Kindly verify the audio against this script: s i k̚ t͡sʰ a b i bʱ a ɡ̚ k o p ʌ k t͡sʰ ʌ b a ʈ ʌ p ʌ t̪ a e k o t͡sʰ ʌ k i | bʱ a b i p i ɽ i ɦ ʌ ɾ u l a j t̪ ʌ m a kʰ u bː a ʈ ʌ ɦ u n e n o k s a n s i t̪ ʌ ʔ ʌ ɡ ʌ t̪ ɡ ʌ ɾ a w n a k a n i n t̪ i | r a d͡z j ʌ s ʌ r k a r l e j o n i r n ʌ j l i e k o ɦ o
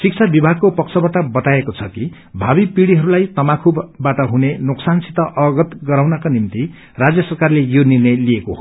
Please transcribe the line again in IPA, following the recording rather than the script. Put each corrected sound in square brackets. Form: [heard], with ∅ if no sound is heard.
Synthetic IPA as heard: s i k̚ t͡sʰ a b i bʱ a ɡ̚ k o p ʌ k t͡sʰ ʌ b a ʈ ʌ [b] ʌ t̪ a e k o t͡sʰ ʌ k i | bʱ a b i p i ɽ i ɦ ʌ ɾ u l a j t̪ ʌ m a kʰ u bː a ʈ ʌ ɦ u n e n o k s a n s i t̪ ʌ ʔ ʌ ɡ ʌ t̪ ɡ ʌ ɾ a w n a k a n i [m] t̪ i | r a d͡z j ʌ s ʌ r k a r l e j o n i r n ʌ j l i e k o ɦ o